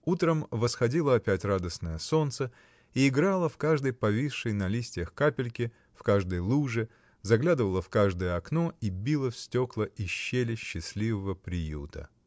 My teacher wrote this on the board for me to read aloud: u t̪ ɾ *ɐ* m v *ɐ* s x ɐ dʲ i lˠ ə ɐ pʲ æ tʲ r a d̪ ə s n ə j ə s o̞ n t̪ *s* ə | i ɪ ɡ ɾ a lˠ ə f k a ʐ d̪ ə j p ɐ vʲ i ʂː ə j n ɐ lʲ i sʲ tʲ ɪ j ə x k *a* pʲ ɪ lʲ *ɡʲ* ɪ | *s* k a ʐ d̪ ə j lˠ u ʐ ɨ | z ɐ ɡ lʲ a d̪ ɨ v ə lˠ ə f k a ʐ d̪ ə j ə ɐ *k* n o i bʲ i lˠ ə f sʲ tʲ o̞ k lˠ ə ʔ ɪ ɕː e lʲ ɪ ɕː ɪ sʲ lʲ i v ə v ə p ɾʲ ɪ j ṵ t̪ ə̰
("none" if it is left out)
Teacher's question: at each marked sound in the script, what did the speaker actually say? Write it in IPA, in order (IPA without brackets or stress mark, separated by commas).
ə, ə, s, a, kʲ, f, k